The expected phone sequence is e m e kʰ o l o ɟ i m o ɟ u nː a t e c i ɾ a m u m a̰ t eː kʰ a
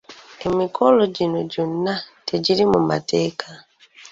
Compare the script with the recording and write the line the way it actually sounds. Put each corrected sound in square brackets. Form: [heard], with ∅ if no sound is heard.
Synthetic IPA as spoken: e m [i] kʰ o l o ɟ i [n] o ɟ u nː a t e [ɟ] i ɾ [i] m u m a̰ t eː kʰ a